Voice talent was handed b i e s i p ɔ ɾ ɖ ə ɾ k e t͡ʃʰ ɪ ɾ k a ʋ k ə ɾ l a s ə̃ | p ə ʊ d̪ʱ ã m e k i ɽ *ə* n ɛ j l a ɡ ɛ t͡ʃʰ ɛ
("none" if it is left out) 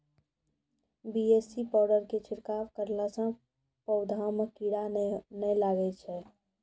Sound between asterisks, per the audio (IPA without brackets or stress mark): a